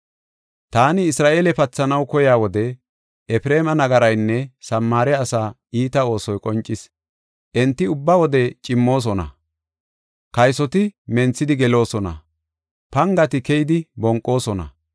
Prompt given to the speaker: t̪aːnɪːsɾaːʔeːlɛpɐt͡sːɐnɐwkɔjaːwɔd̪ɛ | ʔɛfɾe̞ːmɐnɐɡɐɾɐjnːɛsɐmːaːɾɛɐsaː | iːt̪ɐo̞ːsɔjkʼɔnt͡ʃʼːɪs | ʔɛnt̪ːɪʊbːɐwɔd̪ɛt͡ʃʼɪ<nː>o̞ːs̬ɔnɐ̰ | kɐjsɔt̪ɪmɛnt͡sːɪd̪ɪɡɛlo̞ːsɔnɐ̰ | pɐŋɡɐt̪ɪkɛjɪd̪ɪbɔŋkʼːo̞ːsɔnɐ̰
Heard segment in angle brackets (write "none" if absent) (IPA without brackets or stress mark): mː